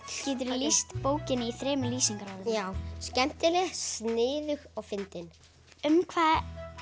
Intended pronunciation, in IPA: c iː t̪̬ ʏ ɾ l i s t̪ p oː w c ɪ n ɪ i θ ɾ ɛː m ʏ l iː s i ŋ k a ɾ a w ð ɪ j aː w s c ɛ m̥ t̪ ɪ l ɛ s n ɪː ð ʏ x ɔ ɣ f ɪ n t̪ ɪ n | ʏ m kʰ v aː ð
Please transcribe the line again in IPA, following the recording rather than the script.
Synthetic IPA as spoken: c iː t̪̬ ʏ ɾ l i s t̪ p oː w c ɪ n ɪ i θ ɾ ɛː m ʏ l iː s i ŋ k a ɾ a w ð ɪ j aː w s c ɛ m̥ t̪ ɪ l ɛ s n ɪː ð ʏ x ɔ ɣ f ɪ n t̪ ɪ n | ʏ m kʰ v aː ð